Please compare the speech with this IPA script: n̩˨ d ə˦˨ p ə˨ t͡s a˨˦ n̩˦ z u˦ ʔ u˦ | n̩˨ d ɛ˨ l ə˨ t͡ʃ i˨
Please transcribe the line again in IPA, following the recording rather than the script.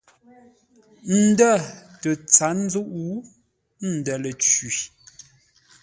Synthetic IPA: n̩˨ d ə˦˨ t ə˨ t͡s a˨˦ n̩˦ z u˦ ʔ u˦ | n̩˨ d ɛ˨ l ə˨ t͡ʃ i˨